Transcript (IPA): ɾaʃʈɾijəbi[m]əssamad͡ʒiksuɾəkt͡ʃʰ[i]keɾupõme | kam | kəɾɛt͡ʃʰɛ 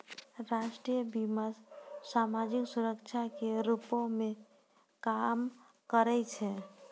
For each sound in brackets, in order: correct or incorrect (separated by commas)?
correct, incorrect